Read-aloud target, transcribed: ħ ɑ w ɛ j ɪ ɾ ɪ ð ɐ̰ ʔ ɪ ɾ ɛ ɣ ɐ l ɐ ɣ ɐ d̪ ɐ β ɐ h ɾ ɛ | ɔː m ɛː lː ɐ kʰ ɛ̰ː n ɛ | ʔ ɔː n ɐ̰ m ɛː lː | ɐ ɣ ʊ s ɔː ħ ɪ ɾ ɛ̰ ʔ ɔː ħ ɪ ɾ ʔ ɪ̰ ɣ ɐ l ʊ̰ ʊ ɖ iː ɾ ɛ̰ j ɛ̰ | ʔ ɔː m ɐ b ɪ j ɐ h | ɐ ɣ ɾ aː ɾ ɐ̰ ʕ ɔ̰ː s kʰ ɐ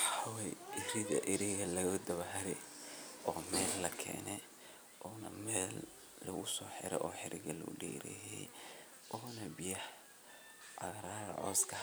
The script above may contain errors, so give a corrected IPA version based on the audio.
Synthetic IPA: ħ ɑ w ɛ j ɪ ɾ ɪ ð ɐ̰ ʔ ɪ ɾ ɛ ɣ ɐ l ɐ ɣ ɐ d̪ ɐ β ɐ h ɾ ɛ | ɔː m ɛː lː ɐ kʰ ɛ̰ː n ɛ | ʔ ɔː n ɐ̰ m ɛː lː | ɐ ɣ ʊ s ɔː ħ ɪ ɾ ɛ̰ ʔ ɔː ħ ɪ ɾ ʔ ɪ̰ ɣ ɐ l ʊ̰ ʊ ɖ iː ɾ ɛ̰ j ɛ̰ | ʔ ɔː n ɐ b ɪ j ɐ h | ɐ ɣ ɾ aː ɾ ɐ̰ ʕ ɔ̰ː s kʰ ɐ